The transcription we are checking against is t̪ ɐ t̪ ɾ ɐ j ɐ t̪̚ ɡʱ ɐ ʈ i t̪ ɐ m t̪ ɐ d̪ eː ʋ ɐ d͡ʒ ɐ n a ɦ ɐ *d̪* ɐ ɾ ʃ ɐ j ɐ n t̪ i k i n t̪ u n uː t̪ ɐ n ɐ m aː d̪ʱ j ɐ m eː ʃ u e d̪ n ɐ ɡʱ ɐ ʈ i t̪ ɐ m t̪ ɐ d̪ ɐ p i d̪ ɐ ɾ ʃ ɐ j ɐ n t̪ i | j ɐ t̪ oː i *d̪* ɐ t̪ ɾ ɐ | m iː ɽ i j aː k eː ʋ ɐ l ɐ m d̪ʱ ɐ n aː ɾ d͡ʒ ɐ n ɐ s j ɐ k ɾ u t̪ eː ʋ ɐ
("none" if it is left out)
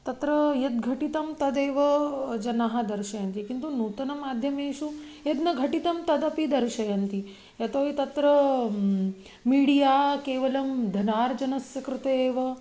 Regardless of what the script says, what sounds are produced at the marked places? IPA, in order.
d̪, t̪

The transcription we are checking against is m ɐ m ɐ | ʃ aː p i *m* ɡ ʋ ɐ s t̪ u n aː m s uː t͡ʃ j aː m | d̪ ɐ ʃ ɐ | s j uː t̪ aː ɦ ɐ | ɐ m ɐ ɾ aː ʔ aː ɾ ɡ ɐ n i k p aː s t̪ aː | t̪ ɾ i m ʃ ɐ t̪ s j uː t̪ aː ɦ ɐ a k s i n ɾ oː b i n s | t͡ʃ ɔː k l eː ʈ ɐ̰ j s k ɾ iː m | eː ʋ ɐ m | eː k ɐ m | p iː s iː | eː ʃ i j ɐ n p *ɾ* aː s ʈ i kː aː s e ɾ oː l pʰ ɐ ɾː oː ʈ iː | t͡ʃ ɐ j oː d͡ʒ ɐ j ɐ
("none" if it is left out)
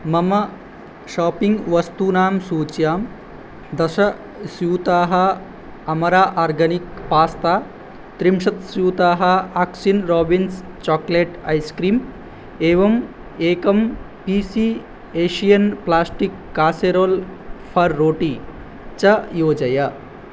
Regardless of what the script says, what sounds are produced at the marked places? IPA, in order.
ŋ, l

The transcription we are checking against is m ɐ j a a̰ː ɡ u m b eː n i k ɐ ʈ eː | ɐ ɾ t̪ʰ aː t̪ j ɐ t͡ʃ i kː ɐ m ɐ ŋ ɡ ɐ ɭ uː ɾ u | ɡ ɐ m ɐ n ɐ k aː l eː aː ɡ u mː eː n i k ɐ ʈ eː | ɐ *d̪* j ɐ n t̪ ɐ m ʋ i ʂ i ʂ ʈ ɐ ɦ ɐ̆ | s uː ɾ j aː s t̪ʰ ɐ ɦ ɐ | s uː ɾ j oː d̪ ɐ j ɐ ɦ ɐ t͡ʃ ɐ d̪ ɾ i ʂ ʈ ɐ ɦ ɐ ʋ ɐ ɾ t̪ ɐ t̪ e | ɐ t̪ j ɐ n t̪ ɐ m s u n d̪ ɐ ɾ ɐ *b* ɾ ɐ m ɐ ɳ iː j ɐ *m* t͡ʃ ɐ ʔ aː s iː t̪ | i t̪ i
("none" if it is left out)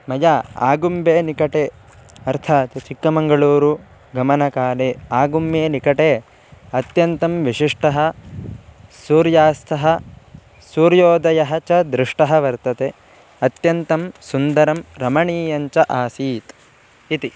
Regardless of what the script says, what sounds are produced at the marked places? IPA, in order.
t̪, m, ɲ

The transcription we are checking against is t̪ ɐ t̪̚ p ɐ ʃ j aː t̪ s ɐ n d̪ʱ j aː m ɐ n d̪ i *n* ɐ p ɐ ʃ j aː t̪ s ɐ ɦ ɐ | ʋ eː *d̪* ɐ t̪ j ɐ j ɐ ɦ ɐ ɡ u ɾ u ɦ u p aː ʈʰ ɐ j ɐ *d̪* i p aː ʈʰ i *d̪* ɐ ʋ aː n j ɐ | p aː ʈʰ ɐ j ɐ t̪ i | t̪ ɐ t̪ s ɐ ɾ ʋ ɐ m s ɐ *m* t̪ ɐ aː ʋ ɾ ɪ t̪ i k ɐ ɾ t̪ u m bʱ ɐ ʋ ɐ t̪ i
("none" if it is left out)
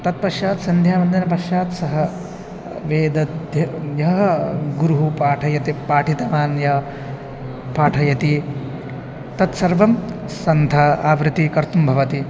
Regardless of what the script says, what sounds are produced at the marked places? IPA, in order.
n, d̪, t̪, t̪, n

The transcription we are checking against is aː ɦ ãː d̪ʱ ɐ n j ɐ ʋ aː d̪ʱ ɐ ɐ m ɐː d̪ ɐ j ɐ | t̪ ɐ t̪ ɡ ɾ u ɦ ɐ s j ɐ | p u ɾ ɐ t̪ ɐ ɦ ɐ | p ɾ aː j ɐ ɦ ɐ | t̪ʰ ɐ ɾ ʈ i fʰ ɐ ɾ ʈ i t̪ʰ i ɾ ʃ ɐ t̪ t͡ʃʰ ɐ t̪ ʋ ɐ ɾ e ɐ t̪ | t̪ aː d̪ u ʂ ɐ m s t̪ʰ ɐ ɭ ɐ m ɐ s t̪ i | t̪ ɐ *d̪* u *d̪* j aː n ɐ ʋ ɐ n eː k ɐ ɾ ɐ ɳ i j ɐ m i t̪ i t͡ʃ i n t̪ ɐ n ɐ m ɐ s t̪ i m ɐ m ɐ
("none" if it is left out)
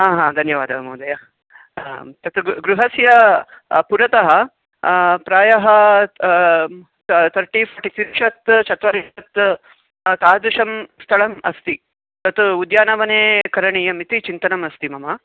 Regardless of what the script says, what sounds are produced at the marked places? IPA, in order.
t̪, d̪

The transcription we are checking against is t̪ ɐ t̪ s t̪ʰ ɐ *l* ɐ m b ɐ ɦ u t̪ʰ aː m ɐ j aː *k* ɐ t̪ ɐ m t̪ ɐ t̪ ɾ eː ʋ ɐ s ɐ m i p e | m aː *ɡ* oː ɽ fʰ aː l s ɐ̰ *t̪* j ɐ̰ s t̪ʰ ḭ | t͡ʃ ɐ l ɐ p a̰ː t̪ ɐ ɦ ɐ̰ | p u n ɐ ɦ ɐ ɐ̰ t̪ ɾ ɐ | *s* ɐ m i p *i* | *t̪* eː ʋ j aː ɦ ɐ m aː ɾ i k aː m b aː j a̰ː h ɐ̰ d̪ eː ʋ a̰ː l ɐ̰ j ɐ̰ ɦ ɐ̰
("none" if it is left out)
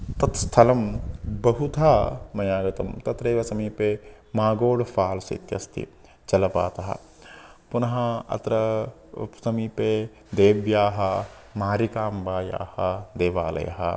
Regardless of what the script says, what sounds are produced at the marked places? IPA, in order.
l, ɡ, ɡ, t̪, s, e, d̪

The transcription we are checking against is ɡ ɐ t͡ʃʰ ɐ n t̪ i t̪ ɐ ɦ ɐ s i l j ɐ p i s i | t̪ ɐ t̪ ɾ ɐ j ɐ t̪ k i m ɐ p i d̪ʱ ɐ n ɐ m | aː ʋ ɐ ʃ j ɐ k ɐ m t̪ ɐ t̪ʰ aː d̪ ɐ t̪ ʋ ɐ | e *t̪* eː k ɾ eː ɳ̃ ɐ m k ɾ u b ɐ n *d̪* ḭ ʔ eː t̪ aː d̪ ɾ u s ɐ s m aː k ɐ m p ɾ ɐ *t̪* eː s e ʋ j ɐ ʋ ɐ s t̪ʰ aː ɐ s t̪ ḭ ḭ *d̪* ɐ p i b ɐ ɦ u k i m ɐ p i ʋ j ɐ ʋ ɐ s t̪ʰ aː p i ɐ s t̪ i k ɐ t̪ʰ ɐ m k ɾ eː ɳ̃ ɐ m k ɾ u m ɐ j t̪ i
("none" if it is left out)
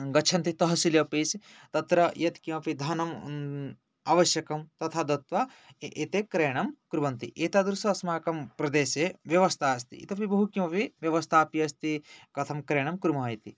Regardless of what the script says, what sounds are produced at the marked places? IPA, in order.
t̪, t̪, d̪, t̪

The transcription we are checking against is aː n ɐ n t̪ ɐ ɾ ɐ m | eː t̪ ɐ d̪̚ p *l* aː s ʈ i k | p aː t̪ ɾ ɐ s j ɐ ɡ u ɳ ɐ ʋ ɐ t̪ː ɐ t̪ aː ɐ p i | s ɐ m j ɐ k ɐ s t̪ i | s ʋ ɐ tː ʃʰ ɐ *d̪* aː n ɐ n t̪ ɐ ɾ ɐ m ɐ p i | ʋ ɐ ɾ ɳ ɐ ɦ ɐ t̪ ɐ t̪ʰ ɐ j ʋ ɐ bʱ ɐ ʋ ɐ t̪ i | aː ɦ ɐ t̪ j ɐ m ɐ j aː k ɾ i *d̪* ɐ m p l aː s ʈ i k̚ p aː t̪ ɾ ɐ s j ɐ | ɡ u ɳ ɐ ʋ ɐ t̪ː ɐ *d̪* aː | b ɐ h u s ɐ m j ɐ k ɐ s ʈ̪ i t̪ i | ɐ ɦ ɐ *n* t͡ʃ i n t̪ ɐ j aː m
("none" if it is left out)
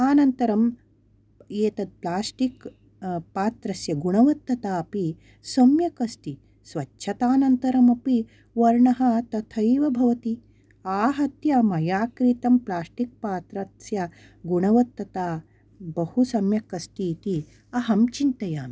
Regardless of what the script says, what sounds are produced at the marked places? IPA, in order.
l, t̪, t̪, t̪, m

